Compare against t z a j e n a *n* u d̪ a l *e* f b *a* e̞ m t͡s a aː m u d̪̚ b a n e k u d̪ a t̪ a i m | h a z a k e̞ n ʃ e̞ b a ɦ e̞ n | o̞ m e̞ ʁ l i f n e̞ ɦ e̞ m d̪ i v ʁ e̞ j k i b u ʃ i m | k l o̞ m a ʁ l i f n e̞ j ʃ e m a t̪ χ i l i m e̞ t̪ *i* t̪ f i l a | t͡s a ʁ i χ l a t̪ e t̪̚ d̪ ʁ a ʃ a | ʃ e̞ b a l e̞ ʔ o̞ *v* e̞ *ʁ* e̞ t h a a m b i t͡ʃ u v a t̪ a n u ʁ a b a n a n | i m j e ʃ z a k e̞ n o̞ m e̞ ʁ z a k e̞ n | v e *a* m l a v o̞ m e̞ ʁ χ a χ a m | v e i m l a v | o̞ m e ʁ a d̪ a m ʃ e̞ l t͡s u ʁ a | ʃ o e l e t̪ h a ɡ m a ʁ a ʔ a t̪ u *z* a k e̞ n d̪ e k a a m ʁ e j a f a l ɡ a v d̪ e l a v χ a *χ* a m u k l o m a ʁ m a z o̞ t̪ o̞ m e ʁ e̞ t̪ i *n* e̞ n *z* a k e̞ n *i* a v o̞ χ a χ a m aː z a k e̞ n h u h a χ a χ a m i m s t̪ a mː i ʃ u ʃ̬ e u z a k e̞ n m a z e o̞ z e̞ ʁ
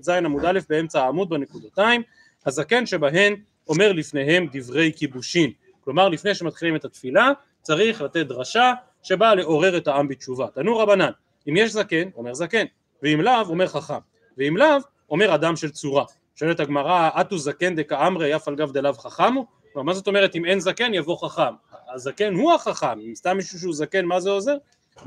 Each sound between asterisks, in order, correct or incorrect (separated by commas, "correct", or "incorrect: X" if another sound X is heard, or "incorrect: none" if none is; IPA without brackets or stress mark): incorrect: m, correct, incorrect: e, incorrect: a, incorrect: ʁ, correct, incorrect: i, correct, correct, incorrect: m, correct, incorrect: j